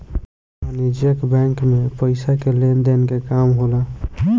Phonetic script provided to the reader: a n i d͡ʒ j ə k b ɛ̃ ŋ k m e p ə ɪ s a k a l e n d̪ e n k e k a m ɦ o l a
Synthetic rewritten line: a n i d͡ʒ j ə k b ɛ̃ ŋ k m e p ə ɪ s a k e l e n d̪ e n k e k a m ɦ o l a